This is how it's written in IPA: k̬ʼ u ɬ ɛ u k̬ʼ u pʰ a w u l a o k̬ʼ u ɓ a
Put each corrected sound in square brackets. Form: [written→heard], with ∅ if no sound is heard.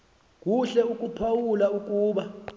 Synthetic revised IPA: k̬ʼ u ɬ ɛ u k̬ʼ u pʰ a w u l a [o→u] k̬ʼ [u→uː] ɓ a